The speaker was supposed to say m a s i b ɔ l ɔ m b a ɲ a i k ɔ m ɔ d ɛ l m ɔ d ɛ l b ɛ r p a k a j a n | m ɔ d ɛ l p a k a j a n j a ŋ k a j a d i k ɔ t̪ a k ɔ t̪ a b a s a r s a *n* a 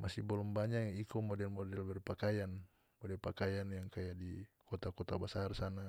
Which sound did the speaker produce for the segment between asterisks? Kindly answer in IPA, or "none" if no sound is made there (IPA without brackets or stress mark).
n